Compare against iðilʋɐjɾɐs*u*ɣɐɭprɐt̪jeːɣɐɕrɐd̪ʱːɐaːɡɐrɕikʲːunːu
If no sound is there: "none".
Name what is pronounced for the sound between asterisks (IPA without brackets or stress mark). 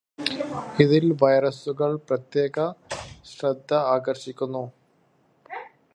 u